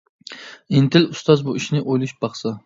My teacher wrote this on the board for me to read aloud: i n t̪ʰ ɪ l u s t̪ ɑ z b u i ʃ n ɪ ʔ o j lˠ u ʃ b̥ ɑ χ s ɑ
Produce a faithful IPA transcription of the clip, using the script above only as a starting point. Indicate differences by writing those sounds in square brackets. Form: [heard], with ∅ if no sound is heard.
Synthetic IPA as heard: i n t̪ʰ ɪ l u s t̪ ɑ z b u i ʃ n ɪ ʔ o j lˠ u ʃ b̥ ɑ χ s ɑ